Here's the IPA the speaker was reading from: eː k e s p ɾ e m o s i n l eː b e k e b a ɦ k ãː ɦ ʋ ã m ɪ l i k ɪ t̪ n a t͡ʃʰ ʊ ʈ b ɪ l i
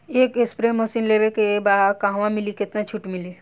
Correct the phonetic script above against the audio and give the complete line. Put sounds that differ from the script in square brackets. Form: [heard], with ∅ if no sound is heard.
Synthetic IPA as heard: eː k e s p ɾ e m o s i n l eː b e k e b a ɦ k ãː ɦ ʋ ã m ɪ l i k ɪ t̪ n a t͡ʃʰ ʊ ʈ [m] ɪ l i

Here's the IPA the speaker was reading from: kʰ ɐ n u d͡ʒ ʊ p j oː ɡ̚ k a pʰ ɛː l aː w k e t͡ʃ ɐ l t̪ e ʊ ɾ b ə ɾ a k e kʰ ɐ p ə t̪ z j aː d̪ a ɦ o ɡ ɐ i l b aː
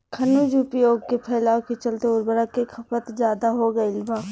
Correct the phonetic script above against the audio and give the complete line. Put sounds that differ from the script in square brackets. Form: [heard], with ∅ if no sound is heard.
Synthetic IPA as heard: kʰ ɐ n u d͡ʒ ʊ p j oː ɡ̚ k [e] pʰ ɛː l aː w k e t͡ʃ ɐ l t̪ e ʊ ɾ b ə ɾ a k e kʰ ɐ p ə t̪ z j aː d̪ a ɦ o ɡ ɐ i l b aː

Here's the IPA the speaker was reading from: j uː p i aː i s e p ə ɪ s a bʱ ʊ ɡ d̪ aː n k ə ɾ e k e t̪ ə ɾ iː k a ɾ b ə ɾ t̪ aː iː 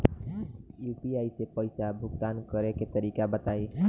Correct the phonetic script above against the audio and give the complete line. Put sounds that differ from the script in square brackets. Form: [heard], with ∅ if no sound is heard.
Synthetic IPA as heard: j uː p i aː i s e p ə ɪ s a bʱ ʊ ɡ [t̪] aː n k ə ɾ e k e t̪ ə ɾ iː k a [∅] b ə [∅] t̪ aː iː

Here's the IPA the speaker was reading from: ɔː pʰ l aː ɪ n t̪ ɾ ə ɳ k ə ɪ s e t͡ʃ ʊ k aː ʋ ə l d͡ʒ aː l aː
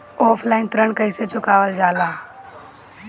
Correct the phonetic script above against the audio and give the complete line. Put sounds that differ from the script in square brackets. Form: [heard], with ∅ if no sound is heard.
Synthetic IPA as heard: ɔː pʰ l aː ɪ n t̪ ɾ ə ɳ k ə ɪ s e t͡ʃ ʊ k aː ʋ ə l d͡ʒ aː l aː

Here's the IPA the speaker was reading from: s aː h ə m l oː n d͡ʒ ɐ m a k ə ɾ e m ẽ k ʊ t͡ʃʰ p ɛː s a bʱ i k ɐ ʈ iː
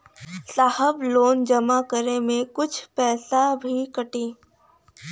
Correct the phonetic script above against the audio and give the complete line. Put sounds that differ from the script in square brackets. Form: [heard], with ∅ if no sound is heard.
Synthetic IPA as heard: s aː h ə [b] l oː n d͡ʒ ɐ m a k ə ɾ e m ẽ k ʊ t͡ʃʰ p ɛː s a bʱ i k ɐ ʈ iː

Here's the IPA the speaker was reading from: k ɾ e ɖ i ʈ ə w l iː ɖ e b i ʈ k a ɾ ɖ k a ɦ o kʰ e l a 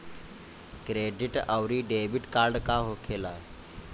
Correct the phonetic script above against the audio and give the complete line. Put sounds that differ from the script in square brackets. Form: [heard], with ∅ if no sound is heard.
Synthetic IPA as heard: k ɾ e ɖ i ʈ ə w [ɾ] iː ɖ e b i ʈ k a ɾ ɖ k a ɦ o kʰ e l a

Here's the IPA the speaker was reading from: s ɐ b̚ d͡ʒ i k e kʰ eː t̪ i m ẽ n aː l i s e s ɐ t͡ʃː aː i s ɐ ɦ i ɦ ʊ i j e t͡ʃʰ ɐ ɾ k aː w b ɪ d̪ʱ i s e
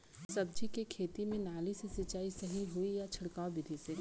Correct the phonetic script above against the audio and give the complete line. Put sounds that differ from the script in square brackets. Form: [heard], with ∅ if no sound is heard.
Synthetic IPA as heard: s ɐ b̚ d͡ʒ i k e kʰ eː t̪ i m ẽ n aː l i s e s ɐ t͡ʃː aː i s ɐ ɦ i ɦ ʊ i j [a] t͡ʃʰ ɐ [ɽ] k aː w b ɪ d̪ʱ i s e

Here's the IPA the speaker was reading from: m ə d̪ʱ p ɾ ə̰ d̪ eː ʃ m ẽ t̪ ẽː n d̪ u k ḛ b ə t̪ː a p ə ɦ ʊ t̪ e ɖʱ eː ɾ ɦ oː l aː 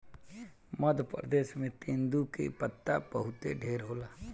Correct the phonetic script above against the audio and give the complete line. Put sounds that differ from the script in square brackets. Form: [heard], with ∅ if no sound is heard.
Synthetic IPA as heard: m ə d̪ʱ p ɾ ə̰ d̪ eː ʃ m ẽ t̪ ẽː n d̪ u k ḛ [p] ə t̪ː a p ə ɦ ʊ t̪ e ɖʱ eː ɾ ɦ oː l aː

